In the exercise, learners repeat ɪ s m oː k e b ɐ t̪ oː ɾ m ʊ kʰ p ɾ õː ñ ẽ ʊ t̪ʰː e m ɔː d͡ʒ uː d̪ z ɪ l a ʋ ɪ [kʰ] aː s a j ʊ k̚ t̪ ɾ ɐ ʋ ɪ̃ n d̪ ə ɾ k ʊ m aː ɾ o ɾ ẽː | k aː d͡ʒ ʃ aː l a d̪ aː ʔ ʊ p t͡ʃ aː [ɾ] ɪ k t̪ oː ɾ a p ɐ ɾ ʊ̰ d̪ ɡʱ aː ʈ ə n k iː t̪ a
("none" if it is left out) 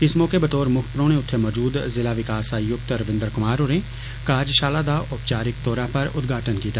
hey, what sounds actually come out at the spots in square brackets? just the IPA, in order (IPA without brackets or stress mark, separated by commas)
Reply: k, ɾ